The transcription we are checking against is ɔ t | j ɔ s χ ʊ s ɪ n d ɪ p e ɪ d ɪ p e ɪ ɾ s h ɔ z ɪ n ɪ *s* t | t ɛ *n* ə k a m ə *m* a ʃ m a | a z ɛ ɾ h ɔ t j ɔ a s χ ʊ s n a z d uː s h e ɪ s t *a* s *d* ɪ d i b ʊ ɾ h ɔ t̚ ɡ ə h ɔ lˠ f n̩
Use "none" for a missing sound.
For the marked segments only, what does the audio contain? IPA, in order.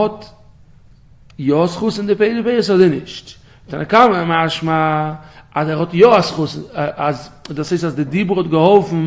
ʃ, n, m, a, d

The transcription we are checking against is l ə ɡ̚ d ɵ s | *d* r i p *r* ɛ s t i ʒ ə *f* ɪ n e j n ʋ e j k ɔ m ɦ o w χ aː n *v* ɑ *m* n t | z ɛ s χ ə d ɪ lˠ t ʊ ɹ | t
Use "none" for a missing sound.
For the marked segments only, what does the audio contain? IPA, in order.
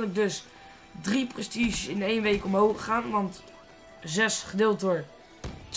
d, r, s, ʋ, none

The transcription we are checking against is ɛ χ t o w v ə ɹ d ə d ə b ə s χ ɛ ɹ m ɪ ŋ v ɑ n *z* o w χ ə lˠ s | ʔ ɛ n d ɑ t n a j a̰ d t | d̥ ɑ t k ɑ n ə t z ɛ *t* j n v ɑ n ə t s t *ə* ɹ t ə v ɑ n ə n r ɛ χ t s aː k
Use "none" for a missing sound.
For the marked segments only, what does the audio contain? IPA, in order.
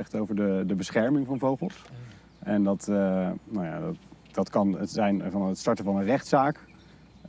v, none, ɑ

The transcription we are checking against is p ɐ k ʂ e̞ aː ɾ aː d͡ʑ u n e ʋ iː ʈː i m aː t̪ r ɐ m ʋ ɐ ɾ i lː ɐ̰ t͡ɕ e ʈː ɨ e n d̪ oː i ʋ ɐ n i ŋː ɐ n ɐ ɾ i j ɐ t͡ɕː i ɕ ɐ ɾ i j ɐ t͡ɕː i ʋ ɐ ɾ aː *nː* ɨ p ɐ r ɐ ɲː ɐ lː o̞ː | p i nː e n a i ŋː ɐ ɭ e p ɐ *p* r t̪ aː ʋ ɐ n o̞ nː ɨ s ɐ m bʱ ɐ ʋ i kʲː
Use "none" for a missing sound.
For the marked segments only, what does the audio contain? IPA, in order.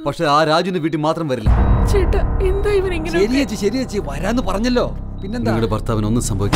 nː, none

